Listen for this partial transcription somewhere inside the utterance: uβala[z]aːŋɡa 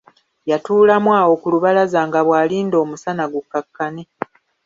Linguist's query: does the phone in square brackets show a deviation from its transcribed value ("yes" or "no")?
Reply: no